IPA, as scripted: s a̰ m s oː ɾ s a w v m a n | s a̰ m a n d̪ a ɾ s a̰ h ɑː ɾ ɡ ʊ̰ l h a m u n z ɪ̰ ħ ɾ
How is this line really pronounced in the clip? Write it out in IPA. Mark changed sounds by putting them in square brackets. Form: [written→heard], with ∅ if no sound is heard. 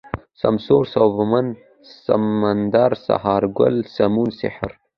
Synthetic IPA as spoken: s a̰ m s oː ɾ s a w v m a n | s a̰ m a n d̪ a ɾ s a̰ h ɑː ɾ ɡ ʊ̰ l [h→s] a m u n [z→s] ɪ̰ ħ ɾ